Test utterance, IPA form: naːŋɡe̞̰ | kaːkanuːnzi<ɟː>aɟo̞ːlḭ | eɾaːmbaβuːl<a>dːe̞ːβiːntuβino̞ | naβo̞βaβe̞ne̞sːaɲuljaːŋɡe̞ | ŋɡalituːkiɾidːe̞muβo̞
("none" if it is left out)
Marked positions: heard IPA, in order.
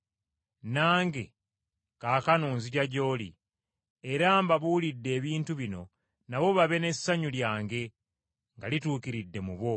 ɟ, i

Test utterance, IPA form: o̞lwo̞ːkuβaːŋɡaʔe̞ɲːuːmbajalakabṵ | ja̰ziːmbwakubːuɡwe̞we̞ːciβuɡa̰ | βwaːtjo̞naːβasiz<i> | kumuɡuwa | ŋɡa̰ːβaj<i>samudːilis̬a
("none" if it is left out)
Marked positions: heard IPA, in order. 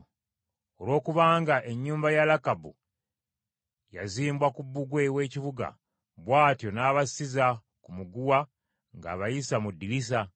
a, i

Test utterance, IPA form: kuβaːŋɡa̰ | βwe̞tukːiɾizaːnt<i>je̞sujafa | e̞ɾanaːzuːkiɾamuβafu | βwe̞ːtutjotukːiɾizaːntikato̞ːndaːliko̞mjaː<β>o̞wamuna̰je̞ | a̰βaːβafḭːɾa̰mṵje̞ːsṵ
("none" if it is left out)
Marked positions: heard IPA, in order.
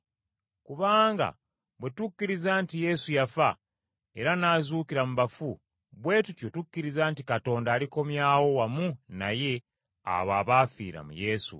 i, w

